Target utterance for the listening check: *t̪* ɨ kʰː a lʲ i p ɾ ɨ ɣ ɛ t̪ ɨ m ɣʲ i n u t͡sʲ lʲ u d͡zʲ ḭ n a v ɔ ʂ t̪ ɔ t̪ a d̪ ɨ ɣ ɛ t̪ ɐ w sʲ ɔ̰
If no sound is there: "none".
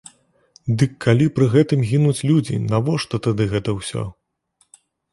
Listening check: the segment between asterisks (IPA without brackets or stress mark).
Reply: d̪